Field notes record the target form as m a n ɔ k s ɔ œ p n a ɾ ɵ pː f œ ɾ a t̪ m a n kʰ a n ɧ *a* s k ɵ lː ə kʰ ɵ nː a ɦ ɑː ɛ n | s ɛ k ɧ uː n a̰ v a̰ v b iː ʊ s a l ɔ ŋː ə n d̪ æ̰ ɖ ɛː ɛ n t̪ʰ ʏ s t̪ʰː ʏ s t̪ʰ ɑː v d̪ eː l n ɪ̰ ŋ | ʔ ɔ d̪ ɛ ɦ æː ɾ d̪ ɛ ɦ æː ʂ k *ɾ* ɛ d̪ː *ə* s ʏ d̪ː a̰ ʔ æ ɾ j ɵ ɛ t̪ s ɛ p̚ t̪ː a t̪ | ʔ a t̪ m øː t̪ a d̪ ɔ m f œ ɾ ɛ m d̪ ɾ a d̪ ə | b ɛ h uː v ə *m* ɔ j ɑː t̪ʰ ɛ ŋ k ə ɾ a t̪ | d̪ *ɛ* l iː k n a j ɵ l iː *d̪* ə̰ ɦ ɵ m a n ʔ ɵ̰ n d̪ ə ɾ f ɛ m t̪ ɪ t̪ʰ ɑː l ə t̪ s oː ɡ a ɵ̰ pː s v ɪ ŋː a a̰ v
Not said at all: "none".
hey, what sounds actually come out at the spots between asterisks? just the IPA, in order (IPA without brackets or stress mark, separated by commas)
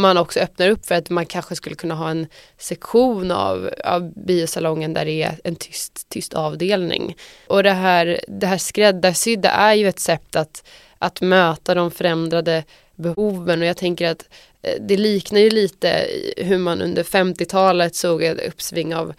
ə, ɾ, a, n, ɛ, t̪